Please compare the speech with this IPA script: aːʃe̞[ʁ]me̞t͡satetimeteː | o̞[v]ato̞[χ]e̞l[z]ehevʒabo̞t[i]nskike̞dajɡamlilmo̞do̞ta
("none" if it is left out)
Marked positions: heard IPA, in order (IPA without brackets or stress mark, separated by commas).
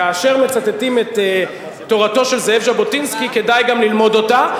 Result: ʁ, ʁ, ʃ, z, i